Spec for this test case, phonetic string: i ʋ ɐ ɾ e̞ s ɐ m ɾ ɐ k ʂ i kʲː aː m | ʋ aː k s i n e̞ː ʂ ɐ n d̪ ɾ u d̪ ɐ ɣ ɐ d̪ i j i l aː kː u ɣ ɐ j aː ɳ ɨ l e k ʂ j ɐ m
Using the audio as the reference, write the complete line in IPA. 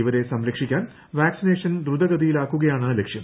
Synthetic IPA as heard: i ʋ ɐ ɾ e̞ s ɐ m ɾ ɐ k ʂ i kʲː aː n | ʋ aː k s i n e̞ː ʂ ɐ n d̪ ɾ u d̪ ɐ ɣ ɐ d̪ i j i l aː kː u ɣ ɐ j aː ɳ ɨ l e k ʂ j ɐ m

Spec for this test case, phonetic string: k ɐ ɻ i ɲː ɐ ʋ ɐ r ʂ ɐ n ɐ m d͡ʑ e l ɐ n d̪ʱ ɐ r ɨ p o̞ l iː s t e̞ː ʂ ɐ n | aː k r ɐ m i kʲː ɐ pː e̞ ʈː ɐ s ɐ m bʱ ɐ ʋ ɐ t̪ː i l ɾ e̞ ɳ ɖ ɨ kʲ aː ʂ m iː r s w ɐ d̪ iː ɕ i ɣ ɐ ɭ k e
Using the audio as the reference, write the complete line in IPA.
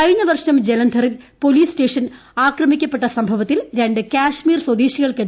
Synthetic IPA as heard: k ɐ ɻ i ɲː ɐ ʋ ɐ r ʂ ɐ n ɐ m d͡ʑ e l ɐ n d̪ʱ ɐ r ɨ p o̞ l iː s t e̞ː ʂ ɐ n | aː k r ɐ m i kʲː ɐ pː e̞ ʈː ɐ s ɐ m bʱ ɐ ʋ ɐ t̪ː i l ɾ e̞ ɳ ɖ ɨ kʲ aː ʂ m iː r s w ɐ d̪ iː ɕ i ɣ ɐ ɭ k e

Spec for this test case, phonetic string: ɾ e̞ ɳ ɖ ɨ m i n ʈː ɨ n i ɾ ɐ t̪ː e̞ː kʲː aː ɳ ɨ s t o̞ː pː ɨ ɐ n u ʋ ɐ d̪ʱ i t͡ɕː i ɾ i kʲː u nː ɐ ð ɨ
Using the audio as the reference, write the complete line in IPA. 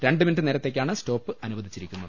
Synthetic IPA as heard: ɾ e̞ ɳ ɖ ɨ m i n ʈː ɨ n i ɾ ɐ t̪ː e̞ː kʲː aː ɳ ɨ s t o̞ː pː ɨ ɐ n u ʋ ɐ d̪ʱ i t͡ɕː i ɾ i kʲː u nː ɐ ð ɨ

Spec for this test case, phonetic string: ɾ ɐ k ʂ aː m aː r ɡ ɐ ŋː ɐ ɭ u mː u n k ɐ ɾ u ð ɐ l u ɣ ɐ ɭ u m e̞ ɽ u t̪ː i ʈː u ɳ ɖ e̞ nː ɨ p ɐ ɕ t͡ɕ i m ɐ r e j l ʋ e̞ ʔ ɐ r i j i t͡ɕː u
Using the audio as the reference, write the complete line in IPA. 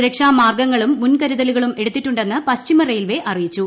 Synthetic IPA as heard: ɾ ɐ k ʂ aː m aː r ɡ ɐ ŋː ɐ ɭ u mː u n k ɐ ɾ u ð ɐ l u ɣ ɐ ɭ u m e̞ ɽ u t̪ː i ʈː u ɳ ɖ e̞ nː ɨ p ɐ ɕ t͡ɕ i m ɐ r e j l ʋ e̞ ʔ ɐ r i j i t͡ɕː u

